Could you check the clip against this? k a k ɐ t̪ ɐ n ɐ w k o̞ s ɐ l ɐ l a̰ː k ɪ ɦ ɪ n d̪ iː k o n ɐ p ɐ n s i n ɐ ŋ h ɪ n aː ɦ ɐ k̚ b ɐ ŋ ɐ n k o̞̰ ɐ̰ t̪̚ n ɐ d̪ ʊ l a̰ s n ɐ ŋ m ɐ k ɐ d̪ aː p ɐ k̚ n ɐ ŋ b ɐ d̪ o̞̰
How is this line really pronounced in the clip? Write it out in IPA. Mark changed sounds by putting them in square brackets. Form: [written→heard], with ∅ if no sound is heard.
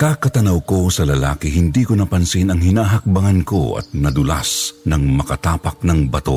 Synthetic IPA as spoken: k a k ɐ t̪ ɐ n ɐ w k o̞ s ɐ l ɐ l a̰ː k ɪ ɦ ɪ n d̪ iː k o n ɐ p ɐ n s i n ɐ ŋ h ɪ n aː ɦ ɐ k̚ b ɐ ŋ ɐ n k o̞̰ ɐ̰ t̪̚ n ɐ d̪ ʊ l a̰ s n ɐ ŋ m ɐ k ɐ [d̪→t̪] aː p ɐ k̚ n ɐ ŋ b ɐ [d̪→t̪] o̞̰